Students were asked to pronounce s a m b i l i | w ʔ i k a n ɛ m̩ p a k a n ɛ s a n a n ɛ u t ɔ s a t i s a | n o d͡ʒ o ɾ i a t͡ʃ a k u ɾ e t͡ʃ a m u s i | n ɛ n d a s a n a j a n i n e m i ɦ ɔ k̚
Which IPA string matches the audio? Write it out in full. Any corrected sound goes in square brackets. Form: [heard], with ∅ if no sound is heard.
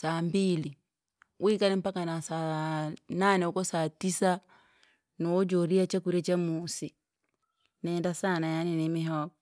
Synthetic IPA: s a m b i l i | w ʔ i k a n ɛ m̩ p a k a n [a] s a n a n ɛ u [k] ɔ s a t i s a | n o d͡ʒ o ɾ i a t͡ʃ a k u ɾ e t͡ʃ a m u s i | n ɛ n d a s a n a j a n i n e m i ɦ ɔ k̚